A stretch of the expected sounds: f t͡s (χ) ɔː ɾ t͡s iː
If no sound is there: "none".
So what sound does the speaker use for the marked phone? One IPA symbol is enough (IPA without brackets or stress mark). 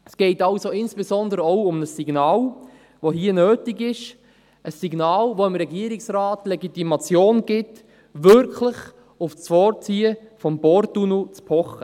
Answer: f